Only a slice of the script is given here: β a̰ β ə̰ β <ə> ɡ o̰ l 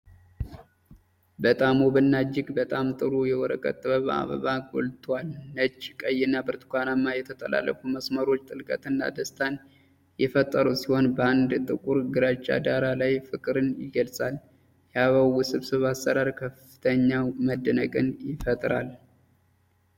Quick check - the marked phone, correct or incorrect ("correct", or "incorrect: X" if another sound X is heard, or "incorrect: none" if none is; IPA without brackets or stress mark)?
incorrect: a